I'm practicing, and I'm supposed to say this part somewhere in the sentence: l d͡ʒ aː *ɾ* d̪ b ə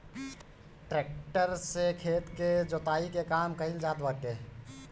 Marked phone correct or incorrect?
incorrect